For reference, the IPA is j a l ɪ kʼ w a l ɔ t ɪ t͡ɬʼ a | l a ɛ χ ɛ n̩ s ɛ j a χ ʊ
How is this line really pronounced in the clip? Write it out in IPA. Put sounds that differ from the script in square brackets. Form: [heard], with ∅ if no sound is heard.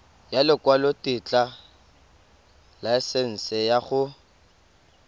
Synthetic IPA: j a l ɪ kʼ w a l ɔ t ɪ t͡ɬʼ a | l a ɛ [s] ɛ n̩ s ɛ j a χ ʊ